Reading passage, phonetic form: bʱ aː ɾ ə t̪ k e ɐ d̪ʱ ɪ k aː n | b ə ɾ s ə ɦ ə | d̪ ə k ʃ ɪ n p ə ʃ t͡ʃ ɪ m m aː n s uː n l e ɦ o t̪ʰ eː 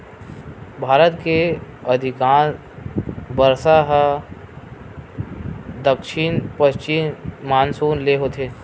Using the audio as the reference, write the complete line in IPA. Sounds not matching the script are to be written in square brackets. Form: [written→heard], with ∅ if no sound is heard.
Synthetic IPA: bʱ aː ɾ ə t̪ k e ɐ d̪ʱ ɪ k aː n | b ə ɾ s [ə→a] ɦ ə | d̪ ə k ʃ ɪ n p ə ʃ t͡ʃ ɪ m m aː n s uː n l e ɦ o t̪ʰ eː